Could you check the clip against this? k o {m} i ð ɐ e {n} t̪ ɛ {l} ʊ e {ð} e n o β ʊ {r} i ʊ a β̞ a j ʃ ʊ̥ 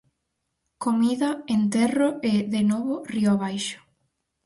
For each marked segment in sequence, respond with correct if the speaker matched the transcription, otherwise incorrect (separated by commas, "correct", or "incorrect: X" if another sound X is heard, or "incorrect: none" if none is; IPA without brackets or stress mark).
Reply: correct, correct, incorrect: r, correct, correct